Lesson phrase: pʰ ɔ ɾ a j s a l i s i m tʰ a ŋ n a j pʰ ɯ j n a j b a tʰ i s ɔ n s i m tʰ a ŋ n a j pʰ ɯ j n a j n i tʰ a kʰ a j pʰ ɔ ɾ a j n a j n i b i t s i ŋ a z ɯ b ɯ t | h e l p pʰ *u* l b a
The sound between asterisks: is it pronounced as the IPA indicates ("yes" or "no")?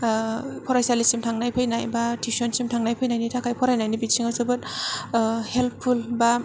yes